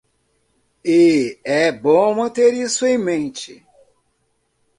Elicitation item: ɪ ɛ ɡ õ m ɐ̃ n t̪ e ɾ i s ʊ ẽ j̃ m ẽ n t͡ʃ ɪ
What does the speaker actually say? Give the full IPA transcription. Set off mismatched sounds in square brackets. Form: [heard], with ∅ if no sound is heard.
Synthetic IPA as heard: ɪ ɛ [b] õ m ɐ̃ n t̪ e ɾ i s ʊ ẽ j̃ m ẽ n t͡ʃ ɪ